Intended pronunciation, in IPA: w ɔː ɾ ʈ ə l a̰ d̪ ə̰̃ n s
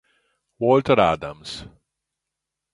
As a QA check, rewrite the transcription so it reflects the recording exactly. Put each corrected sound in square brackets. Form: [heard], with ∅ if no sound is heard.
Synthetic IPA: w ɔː [l] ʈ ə [ɾ] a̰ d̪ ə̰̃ [m] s